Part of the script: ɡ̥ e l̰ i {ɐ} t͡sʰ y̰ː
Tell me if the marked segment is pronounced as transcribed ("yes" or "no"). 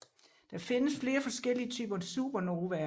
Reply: no